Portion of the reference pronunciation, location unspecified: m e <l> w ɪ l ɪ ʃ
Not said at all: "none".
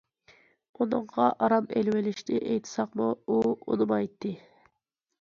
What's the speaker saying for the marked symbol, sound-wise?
l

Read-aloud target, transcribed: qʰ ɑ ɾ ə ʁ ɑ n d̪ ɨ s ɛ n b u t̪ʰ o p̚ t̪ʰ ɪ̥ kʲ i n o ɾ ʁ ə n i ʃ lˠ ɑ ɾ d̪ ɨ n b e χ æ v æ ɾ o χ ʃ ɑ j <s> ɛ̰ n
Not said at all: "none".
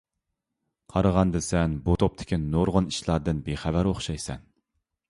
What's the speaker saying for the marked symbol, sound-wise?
s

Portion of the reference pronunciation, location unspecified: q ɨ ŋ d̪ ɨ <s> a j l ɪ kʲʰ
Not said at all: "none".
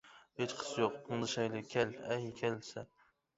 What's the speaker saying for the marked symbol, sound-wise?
ʃ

